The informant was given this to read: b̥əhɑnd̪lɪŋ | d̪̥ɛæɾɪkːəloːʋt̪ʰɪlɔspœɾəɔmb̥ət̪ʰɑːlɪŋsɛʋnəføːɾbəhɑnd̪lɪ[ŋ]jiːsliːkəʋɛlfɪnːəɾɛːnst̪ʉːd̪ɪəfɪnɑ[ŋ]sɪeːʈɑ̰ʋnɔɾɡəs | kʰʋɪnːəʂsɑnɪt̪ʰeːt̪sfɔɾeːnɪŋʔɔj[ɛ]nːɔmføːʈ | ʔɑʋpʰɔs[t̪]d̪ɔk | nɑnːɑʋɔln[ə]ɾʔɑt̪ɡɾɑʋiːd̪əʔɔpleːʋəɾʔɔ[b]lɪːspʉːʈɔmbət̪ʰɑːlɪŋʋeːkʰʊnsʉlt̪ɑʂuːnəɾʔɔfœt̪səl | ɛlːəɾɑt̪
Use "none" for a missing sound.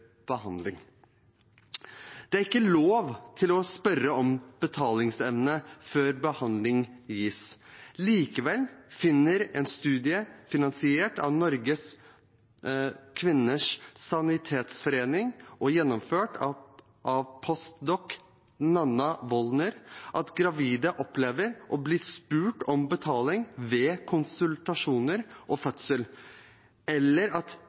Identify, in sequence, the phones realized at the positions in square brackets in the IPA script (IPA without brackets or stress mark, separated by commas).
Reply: ŋ, n, ɛ, t̪, ə, b